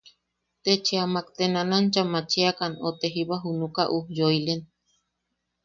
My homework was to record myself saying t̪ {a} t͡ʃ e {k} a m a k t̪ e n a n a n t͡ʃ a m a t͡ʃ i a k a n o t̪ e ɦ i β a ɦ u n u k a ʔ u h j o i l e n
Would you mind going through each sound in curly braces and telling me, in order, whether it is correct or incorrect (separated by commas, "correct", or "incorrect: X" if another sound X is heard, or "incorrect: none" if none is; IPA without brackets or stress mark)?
incorrect: e, incorrect: none